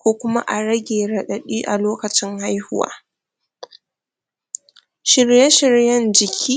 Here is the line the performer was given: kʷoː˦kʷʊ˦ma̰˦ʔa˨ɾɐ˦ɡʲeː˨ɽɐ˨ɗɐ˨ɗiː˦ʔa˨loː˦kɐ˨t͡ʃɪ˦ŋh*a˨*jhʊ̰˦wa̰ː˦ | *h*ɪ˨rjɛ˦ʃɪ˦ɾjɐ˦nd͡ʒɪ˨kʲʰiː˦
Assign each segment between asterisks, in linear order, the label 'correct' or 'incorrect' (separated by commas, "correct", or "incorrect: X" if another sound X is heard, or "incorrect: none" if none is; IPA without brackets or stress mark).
incorrect: a˦, incorrect: ʃ